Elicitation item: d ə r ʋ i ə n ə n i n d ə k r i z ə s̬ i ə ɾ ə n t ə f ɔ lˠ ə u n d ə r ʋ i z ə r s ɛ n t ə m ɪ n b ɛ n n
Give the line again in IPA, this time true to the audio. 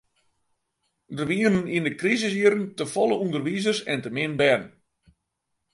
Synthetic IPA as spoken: d ə r ʋ i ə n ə n i n d ə k r i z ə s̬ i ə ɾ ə n t ə f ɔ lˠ ə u n d ə r ʋ i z ə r s ɛ n t ə m ɪ n b ɛ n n